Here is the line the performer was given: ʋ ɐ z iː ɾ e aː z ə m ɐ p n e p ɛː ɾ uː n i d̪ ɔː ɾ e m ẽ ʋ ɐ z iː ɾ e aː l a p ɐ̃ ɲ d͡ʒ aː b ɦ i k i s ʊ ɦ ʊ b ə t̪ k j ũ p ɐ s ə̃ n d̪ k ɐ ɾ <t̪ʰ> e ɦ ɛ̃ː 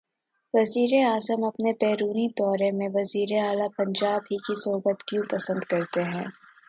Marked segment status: incorrect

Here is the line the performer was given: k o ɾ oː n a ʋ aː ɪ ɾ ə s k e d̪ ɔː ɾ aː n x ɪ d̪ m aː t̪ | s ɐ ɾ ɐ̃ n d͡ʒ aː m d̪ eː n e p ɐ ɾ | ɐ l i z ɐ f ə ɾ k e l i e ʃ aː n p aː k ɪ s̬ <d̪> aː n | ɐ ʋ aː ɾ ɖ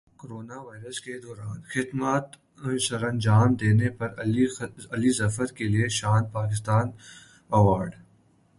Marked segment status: incorrect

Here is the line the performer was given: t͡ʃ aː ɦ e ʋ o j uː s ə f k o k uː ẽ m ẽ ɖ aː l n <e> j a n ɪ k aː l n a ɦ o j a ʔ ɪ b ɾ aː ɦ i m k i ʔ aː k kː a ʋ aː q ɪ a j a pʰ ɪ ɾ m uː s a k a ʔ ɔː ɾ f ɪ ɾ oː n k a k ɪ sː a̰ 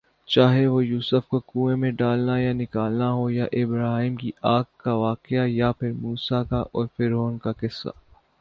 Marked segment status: incorrect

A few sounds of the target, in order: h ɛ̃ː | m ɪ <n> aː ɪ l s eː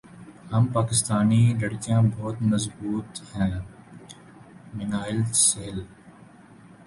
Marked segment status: correct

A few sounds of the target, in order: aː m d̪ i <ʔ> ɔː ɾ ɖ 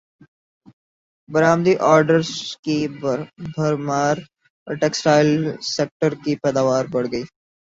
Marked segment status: correct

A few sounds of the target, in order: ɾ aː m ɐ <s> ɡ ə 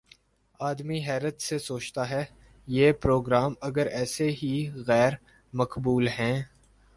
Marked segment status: incorrect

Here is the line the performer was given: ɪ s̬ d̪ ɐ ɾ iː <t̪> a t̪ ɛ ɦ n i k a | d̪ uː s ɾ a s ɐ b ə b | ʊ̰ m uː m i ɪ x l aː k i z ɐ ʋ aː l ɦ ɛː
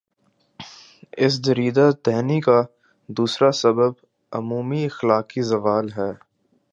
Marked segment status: incorrect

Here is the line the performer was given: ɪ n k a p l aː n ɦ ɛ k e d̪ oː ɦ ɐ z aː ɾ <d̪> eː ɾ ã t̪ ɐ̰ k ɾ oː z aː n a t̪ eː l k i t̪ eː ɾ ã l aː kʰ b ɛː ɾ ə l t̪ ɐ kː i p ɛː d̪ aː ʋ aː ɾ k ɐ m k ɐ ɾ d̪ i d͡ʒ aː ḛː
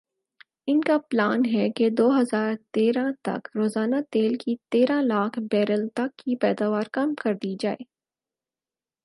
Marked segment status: incorrect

